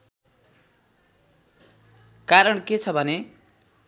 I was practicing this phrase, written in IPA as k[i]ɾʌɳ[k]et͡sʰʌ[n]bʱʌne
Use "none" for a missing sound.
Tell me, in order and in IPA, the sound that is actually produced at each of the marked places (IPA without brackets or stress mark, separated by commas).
a, k, none